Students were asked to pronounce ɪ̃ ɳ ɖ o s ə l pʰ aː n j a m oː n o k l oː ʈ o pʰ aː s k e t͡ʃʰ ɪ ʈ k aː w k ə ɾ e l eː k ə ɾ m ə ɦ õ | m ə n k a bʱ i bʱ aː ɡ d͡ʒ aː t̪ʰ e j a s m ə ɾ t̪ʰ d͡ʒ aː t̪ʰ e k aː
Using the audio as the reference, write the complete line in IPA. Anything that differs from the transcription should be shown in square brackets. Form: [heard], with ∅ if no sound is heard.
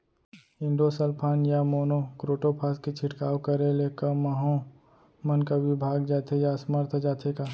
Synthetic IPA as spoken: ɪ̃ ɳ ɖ o s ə l pʰ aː n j a m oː n o k [ɾ] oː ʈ o pʰ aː s k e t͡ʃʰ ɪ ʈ k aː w k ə ɾ e l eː k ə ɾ m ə ɦ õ | m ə n k a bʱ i bʱ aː ɡ d͡ʒ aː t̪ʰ e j a s m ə ɾ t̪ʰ d͡ʒ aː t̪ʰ e k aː